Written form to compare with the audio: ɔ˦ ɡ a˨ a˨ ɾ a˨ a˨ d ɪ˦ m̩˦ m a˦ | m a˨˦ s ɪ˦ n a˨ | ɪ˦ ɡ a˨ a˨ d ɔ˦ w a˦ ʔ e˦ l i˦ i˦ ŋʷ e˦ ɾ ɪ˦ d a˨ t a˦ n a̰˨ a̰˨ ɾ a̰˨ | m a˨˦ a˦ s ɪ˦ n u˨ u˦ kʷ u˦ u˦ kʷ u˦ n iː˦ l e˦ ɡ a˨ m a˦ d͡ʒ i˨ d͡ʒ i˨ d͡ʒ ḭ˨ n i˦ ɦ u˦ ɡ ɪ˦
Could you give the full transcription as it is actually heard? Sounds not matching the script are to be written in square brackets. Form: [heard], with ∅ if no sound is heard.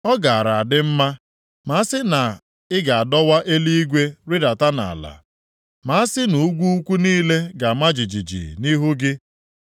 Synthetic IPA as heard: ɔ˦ ɡ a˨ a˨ ɾ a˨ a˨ d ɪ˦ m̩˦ m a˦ | m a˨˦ s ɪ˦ n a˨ | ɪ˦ ɡ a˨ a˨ d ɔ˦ w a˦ ʔ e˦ l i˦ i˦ [ɡʷ] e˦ ɾ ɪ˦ d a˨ t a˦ n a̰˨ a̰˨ [l] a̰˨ | m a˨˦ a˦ s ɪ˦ n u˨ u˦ [ɡʷ] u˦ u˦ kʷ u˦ n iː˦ l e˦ ɡ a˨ m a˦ d͡ʒ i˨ d͡ʒ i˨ d͡ʒ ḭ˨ n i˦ ɦ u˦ ɡ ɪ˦